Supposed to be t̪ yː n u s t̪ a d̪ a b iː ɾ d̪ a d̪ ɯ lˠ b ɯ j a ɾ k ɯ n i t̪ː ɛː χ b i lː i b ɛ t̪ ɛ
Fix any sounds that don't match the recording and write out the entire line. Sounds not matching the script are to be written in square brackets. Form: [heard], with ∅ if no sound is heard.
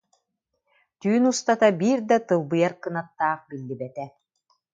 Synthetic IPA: t̪ yː n u s t̪ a [t̪] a b iː ɾ d̪ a [t̪] ɯ lˠ b ɯ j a ɾ k ɯ n [a] t̪ː [aː] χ b i lː i b ɛ t̪ ɛ